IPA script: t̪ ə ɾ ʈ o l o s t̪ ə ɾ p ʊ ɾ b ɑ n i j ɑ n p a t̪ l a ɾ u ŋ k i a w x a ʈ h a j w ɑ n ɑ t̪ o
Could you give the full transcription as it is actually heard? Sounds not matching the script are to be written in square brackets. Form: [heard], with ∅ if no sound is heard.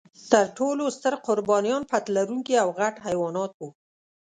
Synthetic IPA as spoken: t̪ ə ɾ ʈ o l o s t̪ ə ɾ [q] ʊ ɾ b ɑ n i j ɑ n p a t̪ l a ɾ u ŋ k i a w [ɣ] a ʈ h a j w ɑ n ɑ t̪ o